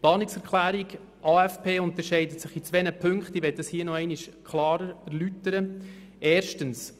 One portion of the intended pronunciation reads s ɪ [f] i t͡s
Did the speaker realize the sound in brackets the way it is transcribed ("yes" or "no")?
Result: no